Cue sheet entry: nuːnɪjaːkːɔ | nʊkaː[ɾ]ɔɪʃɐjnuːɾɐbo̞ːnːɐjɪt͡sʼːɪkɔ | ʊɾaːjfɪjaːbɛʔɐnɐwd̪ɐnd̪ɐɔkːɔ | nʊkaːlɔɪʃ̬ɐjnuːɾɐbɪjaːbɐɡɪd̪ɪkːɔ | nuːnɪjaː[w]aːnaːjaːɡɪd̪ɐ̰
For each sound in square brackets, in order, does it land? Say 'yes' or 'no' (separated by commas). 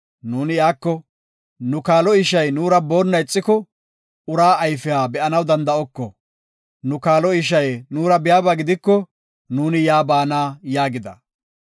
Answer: no, no